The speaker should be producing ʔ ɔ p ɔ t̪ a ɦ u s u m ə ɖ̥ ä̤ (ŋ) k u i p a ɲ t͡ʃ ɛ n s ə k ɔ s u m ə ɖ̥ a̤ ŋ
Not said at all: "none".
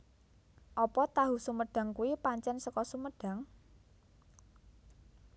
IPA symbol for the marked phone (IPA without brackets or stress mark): ŋ